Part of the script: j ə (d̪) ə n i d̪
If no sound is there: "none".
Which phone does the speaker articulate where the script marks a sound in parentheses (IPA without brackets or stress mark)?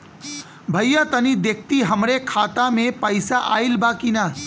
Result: t̪